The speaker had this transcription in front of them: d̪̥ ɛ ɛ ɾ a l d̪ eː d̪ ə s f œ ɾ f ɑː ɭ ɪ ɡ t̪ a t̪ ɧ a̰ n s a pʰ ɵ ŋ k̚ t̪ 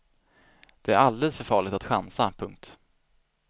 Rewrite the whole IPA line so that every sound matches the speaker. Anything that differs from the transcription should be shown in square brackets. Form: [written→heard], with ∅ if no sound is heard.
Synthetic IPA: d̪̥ ɛ [ɛ→æ] ɾ a l d̪ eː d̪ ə s f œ ɾ f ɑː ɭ ɪ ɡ t̪ a t̪ ɧ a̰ n s a pʰ ɵ ŋ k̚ t̪